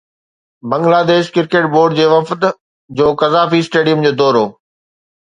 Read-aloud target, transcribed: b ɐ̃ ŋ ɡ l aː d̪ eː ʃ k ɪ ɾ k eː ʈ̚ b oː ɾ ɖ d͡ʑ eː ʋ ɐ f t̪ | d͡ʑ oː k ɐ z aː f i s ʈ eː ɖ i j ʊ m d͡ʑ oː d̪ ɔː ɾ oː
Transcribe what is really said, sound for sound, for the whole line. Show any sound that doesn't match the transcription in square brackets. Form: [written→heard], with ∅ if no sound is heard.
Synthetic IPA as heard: b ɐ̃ ŋ ɡ l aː d̪ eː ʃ k ɪ ɾ k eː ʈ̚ b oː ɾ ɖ d͡ʑ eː ʋ ɐ f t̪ | d͡ʑ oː k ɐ z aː f i s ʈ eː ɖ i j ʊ m d͡ʑ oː d̪ ɔː ɾ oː